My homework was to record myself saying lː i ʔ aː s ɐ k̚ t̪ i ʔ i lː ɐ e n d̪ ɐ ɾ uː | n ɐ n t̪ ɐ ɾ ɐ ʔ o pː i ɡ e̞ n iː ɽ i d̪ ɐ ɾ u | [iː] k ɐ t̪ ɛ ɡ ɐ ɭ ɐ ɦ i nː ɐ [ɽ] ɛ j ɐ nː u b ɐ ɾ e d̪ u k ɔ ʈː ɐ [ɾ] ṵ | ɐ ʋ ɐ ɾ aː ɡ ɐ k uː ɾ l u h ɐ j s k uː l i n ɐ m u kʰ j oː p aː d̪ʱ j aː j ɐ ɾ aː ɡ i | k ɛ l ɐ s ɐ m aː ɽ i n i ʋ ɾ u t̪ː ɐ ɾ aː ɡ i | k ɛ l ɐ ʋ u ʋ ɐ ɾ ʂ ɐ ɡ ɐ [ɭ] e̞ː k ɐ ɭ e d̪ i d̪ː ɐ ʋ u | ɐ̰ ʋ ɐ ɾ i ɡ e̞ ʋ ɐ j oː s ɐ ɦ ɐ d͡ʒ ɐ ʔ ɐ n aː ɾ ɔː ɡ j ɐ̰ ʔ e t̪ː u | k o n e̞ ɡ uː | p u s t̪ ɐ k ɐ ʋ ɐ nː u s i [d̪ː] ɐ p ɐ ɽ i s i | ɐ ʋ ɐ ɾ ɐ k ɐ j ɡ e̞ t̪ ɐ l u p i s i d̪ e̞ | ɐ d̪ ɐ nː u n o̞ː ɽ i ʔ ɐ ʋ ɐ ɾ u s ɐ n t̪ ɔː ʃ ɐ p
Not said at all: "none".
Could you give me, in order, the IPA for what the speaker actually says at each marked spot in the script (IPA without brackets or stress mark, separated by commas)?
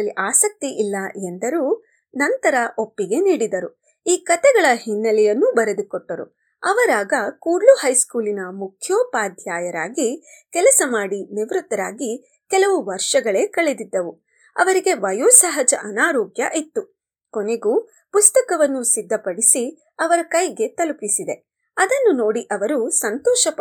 iː, l, ɾ, ɭ, d̪ː